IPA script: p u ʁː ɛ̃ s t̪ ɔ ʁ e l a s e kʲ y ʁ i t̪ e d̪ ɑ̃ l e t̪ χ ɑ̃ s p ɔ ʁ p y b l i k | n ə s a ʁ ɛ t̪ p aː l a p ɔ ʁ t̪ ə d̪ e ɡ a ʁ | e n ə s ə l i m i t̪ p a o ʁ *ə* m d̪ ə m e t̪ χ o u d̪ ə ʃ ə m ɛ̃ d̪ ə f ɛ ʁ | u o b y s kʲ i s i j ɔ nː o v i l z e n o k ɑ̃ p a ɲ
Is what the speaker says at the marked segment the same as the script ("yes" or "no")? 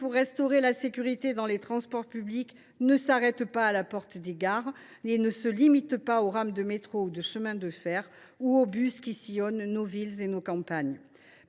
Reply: no